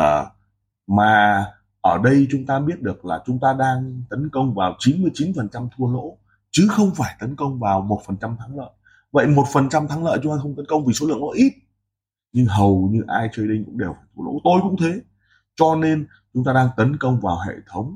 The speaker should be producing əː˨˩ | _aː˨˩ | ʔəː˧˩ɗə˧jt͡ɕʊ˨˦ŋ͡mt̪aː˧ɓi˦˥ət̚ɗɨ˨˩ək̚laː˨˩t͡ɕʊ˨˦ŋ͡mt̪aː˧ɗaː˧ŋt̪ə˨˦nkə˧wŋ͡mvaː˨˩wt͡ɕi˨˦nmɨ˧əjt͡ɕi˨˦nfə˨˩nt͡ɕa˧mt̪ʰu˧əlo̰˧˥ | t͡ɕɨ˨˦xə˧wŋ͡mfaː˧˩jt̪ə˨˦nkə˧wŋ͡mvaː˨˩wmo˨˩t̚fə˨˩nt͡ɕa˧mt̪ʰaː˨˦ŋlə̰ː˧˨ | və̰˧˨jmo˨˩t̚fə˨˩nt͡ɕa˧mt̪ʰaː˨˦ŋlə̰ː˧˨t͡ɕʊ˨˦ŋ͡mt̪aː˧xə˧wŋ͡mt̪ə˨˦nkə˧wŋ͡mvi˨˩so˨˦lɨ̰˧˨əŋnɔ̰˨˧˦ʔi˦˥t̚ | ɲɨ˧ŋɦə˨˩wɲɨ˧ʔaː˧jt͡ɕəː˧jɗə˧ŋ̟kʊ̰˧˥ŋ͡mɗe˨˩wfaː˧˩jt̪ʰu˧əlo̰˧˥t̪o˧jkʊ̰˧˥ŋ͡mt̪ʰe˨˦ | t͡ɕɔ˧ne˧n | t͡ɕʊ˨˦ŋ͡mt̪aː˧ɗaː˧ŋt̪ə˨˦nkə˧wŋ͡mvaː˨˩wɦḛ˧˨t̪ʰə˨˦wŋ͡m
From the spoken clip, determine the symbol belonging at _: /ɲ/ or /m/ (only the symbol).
m